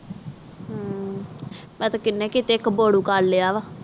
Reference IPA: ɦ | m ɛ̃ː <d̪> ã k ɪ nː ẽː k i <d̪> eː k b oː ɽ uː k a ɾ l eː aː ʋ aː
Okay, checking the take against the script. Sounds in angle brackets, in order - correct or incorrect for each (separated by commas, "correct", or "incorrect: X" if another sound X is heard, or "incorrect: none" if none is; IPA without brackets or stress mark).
incorrect: t̪, incorrect: t̪